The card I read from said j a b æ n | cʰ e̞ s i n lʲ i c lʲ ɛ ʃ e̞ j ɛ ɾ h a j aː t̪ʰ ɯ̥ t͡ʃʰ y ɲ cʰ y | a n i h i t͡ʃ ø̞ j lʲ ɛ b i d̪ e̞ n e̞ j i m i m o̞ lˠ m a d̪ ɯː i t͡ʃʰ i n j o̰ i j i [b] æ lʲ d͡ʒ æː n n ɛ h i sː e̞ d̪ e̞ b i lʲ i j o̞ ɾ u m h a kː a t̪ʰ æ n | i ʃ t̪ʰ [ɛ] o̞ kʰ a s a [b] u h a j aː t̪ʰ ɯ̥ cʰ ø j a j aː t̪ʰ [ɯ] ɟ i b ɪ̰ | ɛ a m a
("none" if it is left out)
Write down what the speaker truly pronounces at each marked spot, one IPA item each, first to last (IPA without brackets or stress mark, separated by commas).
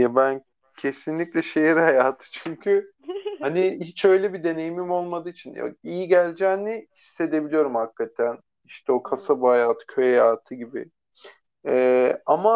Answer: ɟ, ɛ, b, ɯ